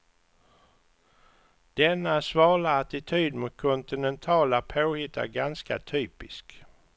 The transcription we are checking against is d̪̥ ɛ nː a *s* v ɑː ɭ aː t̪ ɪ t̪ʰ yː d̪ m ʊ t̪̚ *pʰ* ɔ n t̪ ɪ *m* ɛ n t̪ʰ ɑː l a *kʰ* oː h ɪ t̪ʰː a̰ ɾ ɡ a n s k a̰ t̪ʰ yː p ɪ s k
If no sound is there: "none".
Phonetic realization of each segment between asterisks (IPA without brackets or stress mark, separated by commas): s, kʰ, n, pʰ